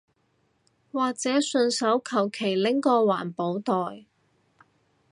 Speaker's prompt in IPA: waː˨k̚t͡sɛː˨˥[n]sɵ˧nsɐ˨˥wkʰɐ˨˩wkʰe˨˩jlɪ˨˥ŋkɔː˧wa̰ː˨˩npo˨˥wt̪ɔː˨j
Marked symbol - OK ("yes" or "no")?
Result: no